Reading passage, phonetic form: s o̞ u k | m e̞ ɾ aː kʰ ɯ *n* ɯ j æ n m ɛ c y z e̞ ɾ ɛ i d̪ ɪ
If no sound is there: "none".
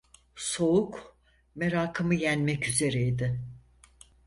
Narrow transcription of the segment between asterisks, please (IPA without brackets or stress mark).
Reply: m